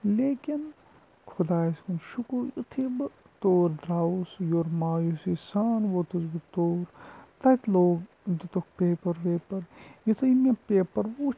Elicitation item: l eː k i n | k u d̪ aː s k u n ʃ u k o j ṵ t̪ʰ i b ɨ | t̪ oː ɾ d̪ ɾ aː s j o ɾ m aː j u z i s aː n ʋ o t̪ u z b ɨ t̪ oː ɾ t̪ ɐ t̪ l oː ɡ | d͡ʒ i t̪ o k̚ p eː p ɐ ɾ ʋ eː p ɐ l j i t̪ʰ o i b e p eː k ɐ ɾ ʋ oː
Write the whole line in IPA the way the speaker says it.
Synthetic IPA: l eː k i n | kʰ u d̪ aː s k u n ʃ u k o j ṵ t̪ʰ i b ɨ | t̪ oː ɾ d̪ ɾ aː s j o ɾ m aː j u s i s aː n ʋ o t̪ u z b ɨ t̪ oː ɾ t̪ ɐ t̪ l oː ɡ | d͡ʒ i t̪ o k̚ p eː p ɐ ɾ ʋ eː p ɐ ɾ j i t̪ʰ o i m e p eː p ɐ ɾ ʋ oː